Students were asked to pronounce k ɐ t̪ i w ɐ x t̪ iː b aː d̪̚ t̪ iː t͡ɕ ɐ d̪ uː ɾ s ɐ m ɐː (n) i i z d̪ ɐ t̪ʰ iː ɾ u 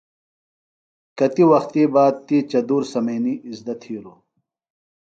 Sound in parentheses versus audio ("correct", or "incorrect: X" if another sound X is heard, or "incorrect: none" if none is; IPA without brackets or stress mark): correct